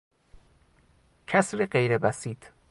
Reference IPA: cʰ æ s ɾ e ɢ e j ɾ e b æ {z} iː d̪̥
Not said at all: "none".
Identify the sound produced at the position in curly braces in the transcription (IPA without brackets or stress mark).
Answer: s